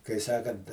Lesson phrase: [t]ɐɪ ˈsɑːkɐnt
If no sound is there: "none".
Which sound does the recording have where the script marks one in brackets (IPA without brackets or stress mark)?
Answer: k